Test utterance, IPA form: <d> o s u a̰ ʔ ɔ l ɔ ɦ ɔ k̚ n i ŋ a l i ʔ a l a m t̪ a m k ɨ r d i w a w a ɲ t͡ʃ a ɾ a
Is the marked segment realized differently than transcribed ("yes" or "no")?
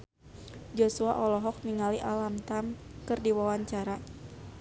yes